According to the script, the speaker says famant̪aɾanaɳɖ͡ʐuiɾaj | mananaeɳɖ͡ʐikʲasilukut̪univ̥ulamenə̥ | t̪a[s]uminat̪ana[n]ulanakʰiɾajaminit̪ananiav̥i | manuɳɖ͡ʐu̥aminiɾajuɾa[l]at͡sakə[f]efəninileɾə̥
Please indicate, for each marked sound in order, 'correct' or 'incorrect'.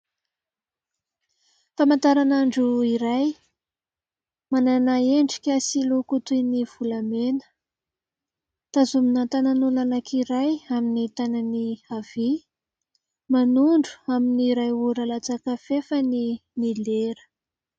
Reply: incorrect: z, correct, correct, correct

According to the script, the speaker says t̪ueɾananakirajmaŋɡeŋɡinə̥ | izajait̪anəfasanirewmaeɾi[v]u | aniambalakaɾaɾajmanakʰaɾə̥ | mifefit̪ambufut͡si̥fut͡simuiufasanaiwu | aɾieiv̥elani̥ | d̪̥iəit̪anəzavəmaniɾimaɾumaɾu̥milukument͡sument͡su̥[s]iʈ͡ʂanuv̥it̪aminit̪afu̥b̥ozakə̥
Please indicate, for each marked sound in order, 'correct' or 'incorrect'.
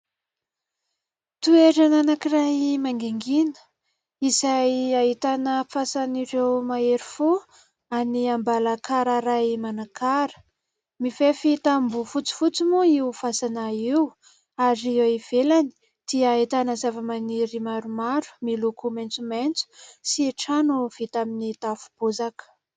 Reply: incorrect: f, correct

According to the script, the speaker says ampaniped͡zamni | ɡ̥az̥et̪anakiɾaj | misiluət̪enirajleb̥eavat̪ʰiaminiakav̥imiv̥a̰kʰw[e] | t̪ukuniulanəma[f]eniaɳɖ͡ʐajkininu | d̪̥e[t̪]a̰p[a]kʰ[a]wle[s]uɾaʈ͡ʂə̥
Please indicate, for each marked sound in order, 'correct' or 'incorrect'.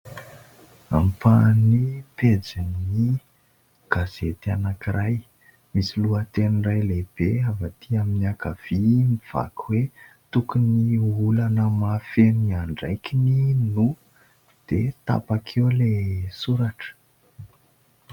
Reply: correct, correct, correct, correct, incorrect: e, correct

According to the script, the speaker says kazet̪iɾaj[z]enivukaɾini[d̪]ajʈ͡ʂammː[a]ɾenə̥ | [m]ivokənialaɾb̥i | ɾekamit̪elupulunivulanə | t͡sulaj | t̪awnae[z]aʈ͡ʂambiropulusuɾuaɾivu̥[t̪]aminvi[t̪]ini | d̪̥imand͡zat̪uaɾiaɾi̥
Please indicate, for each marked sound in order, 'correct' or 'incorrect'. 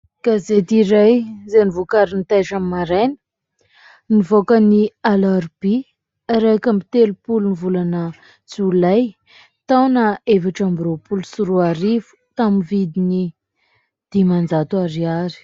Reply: correct, incorrect: t̪, correct, incorrect: n, incorrect: v, correct, incorrect: d̪

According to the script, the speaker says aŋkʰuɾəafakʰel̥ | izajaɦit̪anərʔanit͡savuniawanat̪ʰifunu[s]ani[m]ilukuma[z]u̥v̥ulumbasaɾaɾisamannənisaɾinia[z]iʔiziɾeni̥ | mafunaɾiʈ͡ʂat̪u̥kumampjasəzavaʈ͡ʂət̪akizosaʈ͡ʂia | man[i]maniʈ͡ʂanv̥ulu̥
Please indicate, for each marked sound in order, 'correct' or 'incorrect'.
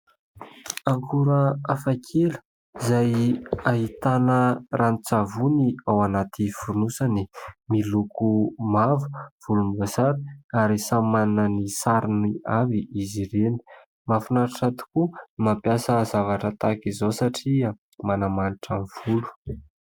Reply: correct, correct, incorrect: v, incorrect: v, incorrect: a

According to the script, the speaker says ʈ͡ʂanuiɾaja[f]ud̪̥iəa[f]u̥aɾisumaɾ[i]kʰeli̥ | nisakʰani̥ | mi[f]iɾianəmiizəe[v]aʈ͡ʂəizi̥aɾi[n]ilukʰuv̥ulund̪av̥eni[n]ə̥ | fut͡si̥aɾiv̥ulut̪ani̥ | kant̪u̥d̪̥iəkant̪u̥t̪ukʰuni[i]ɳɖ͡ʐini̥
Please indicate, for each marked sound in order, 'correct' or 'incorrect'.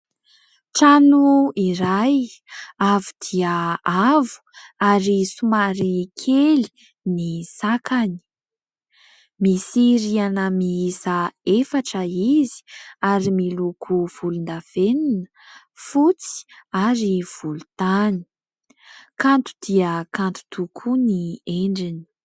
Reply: incorrect: v, incorrect: v, correct, incorrect: s, incorrect: f, incorrect: m, correct, incorrect: e

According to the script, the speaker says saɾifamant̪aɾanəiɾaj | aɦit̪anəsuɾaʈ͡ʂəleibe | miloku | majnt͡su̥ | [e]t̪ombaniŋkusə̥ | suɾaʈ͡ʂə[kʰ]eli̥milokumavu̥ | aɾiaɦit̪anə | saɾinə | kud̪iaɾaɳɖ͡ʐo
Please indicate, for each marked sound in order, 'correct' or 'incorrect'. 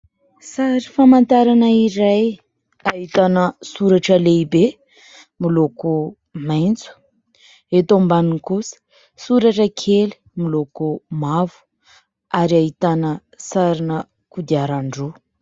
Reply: correct, correct

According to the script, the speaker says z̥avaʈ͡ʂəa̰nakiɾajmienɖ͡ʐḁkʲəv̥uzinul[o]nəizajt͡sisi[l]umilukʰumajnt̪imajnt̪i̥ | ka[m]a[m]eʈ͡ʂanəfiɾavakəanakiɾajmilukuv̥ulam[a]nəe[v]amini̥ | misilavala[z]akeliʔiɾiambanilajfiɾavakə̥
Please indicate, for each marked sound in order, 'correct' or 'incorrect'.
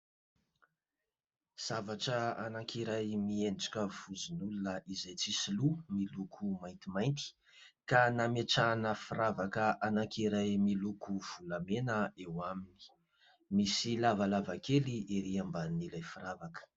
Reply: incorrect: u, correct, incorrect: n, correct, incorrect: e, incorrect: w, incorrect: v

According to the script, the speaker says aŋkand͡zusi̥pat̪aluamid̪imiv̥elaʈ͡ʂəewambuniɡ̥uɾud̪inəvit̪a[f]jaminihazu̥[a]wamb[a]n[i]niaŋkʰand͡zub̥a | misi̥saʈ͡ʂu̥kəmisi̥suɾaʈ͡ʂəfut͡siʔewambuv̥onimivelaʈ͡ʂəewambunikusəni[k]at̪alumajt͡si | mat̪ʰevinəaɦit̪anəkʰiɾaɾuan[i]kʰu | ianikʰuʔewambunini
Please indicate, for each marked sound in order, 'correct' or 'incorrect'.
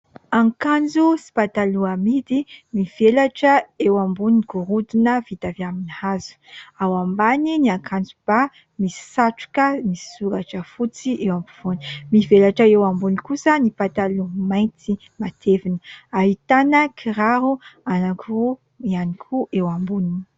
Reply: incorrect: v, correct, correct, correct, incorrect: p, incorrect: a

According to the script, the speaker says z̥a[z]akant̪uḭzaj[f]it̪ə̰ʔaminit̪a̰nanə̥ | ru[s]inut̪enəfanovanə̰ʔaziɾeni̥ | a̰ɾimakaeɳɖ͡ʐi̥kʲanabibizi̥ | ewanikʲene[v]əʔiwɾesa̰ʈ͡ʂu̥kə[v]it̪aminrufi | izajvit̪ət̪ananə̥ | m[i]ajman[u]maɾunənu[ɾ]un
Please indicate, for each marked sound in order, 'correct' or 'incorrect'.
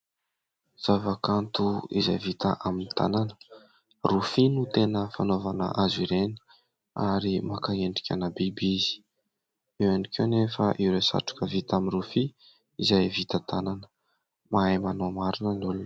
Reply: incorrect: v, incorrect: v, incorrect: f, incorrect: f, correct, incorrect: a, incorrect: o, incorrect: l

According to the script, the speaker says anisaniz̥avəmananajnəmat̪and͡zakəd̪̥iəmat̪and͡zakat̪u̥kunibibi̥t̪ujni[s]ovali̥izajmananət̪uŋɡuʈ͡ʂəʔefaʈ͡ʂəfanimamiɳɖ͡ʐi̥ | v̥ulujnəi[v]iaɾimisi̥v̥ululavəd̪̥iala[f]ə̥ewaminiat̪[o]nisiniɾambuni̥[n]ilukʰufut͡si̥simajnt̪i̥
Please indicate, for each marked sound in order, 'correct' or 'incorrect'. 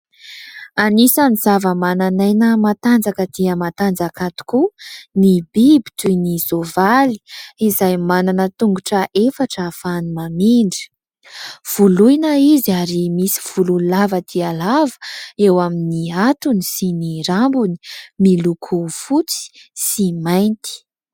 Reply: incorrect: z, incorrect: z, incorrect: v, incorrect: u, incorrect: m

